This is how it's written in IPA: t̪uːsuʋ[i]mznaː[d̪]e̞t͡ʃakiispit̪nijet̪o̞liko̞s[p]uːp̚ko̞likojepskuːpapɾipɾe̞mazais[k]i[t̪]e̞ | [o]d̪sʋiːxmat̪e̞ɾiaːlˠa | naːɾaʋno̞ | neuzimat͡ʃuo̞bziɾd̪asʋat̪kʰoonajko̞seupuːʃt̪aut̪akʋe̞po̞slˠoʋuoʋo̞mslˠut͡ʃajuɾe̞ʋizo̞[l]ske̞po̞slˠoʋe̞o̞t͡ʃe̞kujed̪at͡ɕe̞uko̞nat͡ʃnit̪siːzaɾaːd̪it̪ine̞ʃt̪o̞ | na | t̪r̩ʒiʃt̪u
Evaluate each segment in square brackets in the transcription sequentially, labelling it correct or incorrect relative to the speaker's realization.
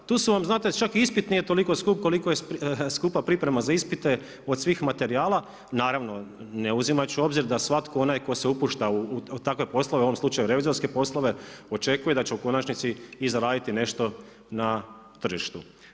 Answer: incorrect: a, incorrect: t̪, incorrect: k, incorrect: p, correct, correct, incorrect: ɾ

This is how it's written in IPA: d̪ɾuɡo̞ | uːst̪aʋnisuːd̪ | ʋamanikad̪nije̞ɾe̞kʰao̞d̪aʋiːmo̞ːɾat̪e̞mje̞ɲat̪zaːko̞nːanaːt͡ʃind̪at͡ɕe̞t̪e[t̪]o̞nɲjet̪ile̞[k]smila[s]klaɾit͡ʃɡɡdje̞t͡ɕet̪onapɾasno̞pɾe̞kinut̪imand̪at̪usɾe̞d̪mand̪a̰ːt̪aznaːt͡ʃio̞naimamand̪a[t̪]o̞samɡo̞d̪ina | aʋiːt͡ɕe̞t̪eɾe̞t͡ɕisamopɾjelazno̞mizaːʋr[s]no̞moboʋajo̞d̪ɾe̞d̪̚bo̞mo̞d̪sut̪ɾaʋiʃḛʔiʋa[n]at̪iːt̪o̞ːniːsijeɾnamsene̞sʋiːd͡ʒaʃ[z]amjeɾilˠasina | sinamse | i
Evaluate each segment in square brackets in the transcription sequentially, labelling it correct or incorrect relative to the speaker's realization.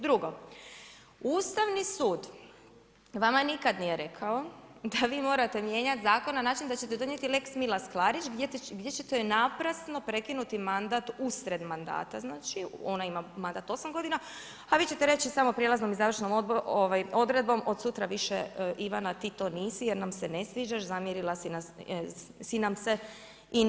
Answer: incorrect: d̪, correct, correct, correct, incorrect: ʃ, correct, correct

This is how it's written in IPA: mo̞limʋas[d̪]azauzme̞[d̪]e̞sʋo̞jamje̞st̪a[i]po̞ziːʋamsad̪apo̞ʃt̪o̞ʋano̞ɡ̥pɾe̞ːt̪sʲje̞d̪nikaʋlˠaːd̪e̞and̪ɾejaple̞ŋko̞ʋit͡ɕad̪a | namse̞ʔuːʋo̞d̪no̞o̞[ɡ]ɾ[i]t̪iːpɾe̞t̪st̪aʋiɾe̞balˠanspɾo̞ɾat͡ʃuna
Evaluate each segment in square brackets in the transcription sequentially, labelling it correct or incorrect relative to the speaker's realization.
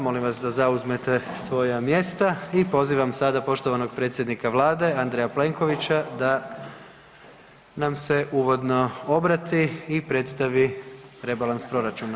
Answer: correct, incorrect: t̪, correct, incorrect: b, incorrect: a

